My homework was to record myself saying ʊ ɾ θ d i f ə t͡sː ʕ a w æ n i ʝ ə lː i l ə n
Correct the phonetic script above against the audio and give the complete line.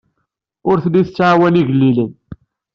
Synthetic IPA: ʊ ɾ θ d i θ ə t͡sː ʕ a w æ n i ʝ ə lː i l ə n